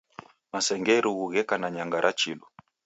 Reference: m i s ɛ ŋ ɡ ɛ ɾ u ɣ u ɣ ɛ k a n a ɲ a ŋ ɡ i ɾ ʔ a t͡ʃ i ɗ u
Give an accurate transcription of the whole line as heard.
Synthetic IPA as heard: m a s ɛ ŋ ɡ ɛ ɾ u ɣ u ɣ ɛ k a n a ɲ a ŋ ɡ a ɾ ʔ a t͡ʃ i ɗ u